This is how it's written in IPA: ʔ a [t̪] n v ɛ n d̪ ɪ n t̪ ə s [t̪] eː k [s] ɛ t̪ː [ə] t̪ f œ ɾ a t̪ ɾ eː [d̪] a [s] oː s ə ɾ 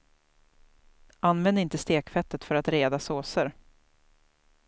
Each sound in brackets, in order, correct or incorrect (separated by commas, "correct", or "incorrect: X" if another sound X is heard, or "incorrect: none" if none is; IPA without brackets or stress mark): incorrect: none, correct, incorrect: f, correct, correct, correct